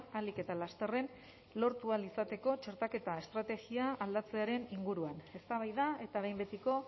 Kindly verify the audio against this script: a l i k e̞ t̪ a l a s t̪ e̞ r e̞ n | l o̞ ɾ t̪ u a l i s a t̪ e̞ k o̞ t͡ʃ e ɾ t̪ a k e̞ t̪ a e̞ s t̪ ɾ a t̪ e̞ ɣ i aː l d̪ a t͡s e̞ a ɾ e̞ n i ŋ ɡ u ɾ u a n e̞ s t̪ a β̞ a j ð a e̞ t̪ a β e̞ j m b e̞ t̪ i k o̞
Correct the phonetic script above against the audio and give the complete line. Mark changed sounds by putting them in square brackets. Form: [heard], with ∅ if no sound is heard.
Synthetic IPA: a l i k e̞ t̪ a l a s t̪ e̞ r e̞ n | l o̞ ɾ t̪ u a l i s a t̪ e̞ k o̞ t͡ʃ e ɾ t̪ a k e̞ t̪ a e̞ s t̪ ɾ a t̪ e̞ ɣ i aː l d̪ a t͡s e̞ a ɾ e̞ n i ŋ ɡ u ɾ u a n e̞ s t̪ a β̞ a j ð a e̞ t̪ a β e̞ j m b e̞ t̪ i k o̞